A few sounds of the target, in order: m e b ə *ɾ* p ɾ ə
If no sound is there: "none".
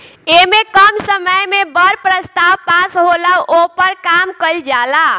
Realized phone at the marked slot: ɾ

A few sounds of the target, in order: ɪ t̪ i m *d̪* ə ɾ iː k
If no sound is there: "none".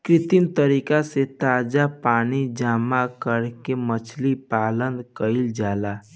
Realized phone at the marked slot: t̪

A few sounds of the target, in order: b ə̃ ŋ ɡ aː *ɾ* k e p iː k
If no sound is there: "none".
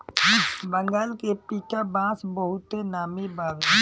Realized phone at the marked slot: l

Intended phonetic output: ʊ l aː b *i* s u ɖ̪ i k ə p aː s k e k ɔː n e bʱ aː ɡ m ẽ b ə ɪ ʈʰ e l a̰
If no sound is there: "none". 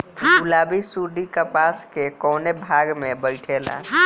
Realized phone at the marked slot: i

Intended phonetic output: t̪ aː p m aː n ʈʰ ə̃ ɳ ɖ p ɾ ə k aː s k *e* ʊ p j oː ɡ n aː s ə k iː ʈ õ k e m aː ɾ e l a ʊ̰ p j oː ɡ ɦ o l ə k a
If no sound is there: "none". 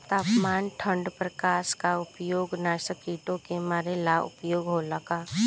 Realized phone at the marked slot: a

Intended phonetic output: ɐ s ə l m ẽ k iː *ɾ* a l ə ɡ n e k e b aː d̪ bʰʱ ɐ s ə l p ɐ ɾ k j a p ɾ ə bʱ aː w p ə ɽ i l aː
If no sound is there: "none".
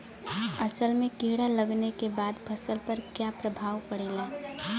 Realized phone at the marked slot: ɽ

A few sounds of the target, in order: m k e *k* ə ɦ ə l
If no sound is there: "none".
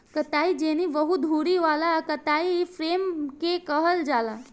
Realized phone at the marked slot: k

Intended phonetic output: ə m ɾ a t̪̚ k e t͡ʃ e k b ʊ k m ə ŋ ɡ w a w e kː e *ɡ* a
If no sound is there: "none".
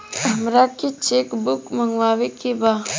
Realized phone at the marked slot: b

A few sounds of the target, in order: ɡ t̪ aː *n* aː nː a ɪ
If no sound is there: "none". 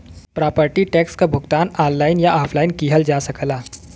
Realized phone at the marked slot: n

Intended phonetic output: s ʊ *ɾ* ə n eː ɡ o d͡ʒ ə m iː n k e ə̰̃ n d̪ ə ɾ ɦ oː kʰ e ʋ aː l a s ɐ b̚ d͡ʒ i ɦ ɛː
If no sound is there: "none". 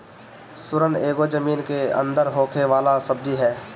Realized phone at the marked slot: ɾ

